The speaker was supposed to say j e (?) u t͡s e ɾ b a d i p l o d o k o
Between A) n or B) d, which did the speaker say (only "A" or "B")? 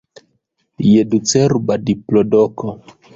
B